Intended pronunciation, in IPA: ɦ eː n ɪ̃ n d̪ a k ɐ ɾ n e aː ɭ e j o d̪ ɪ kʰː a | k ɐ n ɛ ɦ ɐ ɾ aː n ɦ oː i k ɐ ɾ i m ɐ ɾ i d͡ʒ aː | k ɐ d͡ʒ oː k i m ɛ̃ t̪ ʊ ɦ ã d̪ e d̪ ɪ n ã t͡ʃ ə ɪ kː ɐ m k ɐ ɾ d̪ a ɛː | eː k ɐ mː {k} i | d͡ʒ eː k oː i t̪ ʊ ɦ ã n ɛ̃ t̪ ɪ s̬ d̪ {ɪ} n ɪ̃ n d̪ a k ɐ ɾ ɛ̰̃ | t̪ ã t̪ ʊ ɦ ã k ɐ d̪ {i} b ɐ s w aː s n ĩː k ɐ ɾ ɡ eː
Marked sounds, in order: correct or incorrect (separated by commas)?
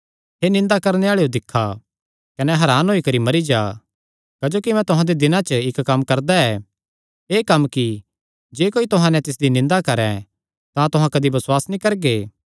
correct, incorrect, correct